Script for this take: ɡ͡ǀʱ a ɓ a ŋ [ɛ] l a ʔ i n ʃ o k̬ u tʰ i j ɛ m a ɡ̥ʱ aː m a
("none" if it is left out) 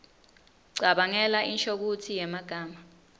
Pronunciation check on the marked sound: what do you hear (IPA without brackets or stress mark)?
ɛ